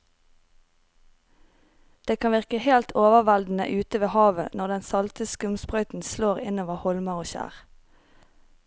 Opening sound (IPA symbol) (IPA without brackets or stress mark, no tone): d̪̥